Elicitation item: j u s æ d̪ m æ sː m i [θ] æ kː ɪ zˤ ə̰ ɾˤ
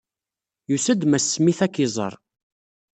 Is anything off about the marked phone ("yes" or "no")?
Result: no